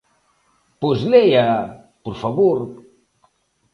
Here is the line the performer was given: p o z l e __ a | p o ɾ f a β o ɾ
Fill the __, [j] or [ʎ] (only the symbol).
j